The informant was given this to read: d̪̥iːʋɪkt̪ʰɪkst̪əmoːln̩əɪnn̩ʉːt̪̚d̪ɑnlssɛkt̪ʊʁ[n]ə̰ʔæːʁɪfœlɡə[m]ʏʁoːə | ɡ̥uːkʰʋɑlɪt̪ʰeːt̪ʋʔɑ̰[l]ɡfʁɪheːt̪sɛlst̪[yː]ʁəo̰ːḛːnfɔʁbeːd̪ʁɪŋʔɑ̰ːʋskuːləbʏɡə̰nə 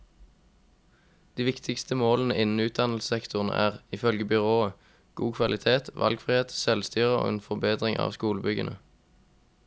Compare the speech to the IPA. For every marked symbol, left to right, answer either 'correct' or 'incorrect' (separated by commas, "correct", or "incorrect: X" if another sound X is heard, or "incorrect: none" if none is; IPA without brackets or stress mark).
correct, incorrect: b, correct, correct